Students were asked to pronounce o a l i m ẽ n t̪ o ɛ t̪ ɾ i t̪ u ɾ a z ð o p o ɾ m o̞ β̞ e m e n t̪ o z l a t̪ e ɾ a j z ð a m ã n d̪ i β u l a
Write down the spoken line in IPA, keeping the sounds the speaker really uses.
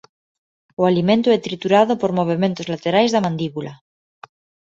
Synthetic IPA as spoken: o a l i m ẽ n t̪ o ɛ t̪ ɾ i t̪ u ɾ a ð o p o ɾ m o̞ β̞ e m e n t̪ o z l a t̪ e ɾ a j z ð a m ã n d̪ i β u l a